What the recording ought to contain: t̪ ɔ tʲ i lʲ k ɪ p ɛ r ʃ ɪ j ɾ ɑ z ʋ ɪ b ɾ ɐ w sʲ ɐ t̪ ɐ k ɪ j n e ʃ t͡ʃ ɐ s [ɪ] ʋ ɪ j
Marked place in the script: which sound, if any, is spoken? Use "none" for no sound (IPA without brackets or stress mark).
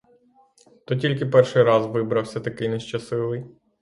ɪ